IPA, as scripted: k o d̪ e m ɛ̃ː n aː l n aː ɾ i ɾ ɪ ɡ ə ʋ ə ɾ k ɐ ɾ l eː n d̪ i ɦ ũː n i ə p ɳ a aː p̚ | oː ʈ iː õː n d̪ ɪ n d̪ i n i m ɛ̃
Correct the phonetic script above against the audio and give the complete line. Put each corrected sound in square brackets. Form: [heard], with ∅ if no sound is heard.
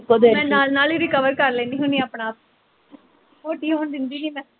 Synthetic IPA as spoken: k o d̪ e m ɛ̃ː n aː l n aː [l] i ɾ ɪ [k] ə ʋ ə ɾ k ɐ ɾ l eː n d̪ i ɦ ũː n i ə p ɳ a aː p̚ | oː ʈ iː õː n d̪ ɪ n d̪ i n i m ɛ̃